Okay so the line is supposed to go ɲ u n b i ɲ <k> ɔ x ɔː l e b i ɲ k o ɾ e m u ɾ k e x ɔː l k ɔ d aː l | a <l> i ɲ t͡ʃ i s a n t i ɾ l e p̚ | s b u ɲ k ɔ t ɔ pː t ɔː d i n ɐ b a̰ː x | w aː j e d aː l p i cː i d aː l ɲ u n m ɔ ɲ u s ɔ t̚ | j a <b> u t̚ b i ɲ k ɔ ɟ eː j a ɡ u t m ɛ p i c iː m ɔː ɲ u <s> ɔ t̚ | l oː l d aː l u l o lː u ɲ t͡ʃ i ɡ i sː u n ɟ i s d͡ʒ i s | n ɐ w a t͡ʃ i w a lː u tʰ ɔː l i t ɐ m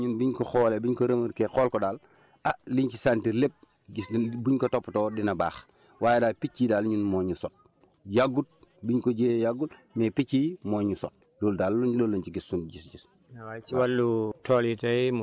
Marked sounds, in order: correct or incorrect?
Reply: correct, correct, incorrect, correct

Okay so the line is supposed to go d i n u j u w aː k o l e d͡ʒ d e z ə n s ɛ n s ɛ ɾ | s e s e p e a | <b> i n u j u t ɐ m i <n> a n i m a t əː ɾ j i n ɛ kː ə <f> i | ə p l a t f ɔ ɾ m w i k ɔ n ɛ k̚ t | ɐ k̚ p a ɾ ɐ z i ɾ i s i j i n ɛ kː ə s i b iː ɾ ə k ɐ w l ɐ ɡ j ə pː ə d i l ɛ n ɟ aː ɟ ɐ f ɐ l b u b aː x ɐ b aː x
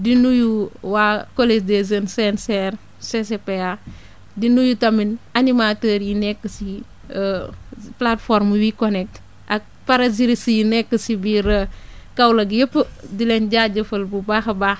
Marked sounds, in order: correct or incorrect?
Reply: incorrect, correct, incorrect

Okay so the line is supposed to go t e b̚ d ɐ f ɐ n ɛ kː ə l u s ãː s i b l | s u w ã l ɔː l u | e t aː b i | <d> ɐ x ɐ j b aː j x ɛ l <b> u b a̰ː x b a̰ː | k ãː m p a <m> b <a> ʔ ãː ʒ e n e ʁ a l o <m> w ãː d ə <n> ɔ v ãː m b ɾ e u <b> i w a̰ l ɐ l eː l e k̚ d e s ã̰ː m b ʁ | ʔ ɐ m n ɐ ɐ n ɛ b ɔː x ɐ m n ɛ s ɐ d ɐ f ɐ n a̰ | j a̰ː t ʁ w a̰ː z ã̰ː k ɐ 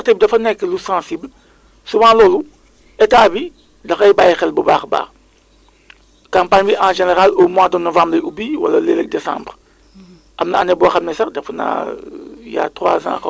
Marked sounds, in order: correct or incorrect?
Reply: correct, correct, incorrect, incorrect, correct, correct, correct

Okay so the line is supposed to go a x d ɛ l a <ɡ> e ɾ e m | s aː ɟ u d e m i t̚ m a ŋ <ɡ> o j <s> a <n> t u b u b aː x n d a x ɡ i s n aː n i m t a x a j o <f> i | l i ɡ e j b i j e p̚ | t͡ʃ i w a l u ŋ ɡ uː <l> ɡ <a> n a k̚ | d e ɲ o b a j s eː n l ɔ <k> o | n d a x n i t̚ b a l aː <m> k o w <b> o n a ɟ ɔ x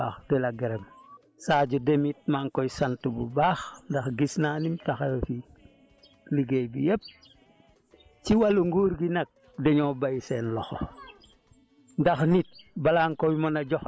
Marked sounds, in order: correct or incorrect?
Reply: correct, incorrect, correct, correct, correct, incorrect, incorrect, incorrect, incorrect, incorrect

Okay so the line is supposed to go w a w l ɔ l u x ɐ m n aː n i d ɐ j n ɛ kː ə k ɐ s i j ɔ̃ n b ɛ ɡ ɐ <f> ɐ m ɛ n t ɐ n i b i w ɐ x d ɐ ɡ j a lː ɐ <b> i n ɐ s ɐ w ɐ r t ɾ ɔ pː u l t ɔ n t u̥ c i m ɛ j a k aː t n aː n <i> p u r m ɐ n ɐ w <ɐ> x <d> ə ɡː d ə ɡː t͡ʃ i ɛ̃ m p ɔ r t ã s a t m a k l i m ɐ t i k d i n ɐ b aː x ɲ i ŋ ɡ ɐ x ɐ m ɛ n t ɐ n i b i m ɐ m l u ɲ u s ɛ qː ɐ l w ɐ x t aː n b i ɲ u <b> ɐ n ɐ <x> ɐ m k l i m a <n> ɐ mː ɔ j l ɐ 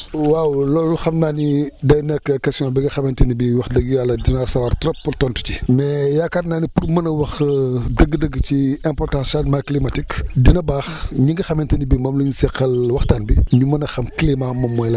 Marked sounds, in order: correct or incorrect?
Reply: incorrect, incorrect, correct, correct, correct, incorrect, correct, incorrect

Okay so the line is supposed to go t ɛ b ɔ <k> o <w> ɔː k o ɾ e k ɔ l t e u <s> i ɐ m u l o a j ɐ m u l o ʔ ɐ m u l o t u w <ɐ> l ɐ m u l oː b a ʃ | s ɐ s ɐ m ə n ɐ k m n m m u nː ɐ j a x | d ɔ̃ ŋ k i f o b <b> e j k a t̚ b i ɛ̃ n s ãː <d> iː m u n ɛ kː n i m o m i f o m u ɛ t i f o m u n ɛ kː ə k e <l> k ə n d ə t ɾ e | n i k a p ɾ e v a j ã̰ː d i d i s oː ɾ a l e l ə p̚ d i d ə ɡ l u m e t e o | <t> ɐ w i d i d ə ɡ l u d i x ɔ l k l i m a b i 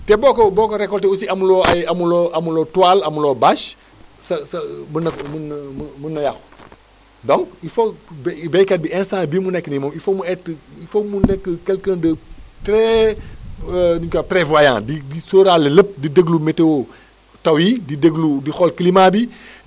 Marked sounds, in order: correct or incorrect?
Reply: correct, incorrect, correct, incorrect, correct, incorrect, correct, correct

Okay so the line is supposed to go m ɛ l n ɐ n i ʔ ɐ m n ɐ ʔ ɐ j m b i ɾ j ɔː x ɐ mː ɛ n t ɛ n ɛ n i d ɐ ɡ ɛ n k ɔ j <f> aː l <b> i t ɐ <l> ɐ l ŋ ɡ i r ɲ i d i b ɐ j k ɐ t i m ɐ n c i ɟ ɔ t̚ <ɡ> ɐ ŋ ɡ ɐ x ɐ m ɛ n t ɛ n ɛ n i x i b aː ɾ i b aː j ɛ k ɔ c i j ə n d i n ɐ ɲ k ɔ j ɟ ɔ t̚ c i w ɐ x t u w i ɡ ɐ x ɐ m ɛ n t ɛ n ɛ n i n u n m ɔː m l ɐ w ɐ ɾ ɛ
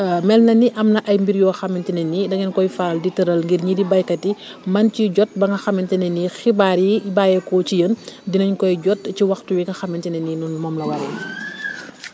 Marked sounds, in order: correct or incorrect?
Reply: correct, incorrect, incorrect, incorrect

